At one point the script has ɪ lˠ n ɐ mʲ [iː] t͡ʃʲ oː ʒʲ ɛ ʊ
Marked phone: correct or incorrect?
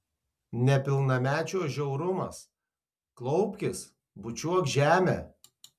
incorrect